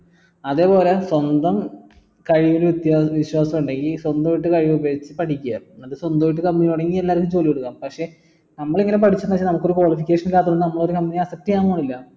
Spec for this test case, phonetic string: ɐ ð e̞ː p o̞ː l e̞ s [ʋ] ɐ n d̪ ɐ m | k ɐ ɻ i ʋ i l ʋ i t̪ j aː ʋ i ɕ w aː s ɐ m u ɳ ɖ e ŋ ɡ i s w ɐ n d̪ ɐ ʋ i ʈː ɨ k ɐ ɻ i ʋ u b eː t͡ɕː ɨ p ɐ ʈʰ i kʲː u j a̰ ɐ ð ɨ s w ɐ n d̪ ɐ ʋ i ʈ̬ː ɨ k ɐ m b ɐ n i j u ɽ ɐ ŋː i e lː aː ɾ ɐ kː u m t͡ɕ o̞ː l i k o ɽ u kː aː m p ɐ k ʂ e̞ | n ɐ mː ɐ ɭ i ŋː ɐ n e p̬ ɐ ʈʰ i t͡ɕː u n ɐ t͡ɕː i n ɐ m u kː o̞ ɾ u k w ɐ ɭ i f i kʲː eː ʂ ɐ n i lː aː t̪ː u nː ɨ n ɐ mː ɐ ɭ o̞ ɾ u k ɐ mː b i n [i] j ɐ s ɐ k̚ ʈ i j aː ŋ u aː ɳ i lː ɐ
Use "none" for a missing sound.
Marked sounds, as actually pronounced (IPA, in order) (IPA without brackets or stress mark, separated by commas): w, i